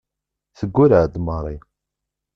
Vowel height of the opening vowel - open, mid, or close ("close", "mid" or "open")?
mid